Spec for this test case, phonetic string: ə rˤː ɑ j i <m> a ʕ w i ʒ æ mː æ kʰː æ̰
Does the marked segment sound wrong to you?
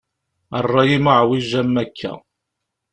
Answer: no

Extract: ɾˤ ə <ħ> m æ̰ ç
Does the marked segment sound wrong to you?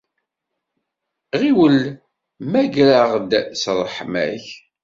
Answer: no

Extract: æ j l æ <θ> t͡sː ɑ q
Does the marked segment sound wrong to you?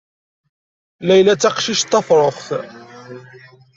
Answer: yes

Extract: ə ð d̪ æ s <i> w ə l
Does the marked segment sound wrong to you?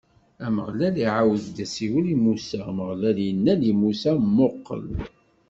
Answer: no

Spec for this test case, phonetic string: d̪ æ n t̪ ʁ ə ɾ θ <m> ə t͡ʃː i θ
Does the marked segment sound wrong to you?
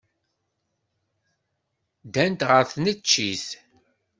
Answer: yes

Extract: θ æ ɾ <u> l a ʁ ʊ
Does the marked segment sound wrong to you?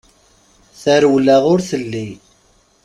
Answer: yes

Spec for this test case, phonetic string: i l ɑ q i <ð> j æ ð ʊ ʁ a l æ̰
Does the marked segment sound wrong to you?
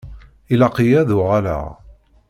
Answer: yes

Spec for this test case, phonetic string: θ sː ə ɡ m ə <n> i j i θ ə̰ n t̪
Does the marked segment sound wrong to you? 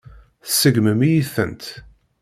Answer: yes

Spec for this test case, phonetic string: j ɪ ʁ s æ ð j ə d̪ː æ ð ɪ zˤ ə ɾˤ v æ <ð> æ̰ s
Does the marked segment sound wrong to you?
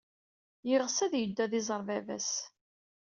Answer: yes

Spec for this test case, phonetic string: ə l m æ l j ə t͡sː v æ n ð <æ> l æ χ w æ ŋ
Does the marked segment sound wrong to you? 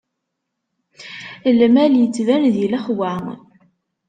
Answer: yes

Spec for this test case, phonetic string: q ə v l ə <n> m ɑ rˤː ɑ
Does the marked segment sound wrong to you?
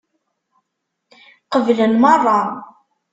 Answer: no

